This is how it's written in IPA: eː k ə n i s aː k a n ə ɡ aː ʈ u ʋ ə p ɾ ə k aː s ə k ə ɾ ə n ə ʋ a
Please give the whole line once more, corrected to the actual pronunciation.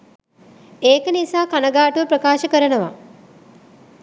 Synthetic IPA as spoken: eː k ə n i s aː k a n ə ɡ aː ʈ u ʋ ə p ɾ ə k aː ʃ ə k ə ɾ ə n ə ʋ a